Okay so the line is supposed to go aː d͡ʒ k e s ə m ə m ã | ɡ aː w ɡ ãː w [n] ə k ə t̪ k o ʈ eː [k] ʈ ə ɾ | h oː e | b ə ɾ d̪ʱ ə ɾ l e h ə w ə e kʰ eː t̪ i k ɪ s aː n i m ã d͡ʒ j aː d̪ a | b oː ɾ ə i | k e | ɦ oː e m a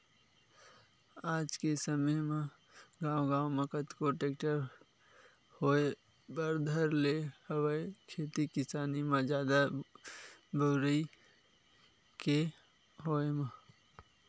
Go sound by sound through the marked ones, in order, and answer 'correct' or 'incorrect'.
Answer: incorrect: m, correct

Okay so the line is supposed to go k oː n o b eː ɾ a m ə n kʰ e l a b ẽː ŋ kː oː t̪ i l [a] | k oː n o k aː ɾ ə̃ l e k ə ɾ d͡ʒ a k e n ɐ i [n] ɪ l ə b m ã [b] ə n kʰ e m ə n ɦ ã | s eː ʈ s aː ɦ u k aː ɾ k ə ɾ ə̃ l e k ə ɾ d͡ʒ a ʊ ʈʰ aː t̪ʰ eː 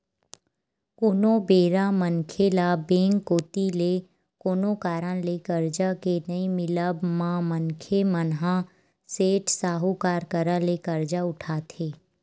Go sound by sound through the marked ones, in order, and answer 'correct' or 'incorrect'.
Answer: incorrect: e, incorrect: m, incorrect: m

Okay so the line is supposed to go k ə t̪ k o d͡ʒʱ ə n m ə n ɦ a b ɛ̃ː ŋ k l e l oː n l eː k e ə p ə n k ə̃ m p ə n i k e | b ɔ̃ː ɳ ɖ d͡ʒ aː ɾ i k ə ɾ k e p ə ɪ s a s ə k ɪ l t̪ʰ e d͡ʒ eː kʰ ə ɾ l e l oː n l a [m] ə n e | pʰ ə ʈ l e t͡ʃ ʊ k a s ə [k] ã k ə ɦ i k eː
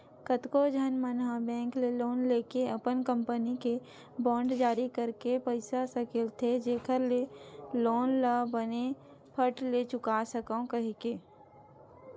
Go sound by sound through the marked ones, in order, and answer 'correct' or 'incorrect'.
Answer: incorrect: b, correct

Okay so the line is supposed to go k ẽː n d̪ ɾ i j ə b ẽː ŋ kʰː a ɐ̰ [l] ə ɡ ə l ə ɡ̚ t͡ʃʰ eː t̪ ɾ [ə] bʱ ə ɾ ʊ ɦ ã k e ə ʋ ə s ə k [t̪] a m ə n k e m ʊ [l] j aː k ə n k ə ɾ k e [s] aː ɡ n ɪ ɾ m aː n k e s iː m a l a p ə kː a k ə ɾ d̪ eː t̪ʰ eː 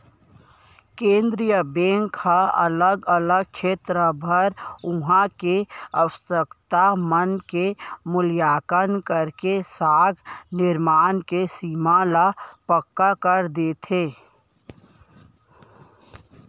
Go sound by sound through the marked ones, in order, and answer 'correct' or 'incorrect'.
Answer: correct, correct, correct, correct, correct

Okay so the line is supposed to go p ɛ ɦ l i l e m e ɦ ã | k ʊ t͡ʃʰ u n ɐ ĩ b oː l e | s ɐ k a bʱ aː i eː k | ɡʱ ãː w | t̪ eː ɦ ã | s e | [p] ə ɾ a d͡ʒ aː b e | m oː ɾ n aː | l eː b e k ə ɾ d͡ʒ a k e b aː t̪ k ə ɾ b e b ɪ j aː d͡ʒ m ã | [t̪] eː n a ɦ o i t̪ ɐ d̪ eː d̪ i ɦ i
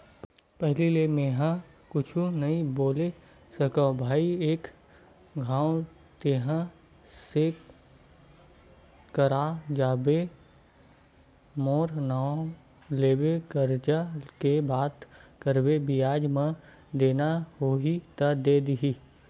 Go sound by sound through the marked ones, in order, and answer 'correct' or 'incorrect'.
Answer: incorrect: k, incorrect: d̪

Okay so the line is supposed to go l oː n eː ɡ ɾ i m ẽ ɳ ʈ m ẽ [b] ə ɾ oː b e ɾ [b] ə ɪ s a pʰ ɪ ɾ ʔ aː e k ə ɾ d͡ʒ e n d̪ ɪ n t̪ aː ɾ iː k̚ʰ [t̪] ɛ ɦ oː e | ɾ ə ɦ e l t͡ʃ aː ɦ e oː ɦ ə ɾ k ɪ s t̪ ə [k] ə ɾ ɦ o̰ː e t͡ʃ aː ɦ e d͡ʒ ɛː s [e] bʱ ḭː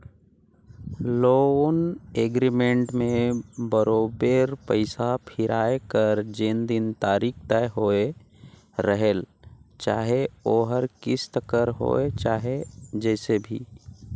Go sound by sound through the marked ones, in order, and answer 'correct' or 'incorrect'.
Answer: correct, incorrect: p, correct, correct, correct

